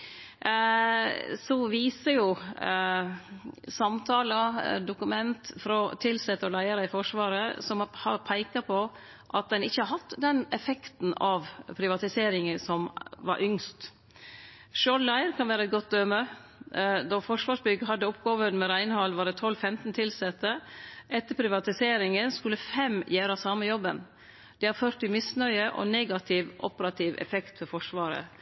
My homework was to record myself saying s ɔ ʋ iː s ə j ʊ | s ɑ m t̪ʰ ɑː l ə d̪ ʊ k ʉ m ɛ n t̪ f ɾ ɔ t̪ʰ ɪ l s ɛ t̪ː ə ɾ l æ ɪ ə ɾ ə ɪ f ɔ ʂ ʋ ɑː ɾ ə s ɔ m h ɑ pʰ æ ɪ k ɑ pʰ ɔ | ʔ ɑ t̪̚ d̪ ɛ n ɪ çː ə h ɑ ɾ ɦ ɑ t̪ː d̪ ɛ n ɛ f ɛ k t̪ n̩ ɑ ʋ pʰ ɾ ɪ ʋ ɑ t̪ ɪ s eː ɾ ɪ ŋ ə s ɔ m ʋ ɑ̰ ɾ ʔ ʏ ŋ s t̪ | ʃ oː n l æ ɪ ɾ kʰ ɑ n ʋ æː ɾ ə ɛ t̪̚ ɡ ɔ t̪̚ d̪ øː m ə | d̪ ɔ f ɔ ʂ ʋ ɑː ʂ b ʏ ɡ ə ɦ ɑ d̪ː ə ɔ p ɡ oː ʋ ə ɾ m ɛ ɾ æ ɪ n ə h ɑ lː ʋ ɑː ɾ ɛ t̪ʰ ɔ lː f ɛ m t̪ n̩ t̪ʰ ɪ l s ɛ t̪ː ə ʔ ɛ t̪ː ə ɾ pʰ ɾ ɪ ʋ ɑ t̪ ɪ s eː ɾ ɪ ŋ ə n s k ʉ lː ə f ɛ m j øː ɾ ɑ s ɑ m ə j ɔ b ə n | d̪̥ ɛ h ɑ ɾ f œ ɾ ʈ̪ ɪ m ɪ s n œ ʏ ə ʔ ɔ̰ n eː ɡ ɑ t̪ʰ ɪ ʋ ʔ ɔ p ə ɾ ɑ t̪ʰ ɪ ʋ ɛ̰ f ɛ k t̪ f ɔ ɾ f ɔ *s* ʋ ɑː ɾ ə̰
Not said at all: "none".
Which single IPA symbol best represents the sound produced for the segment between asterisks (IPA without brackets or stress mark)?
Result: ʂ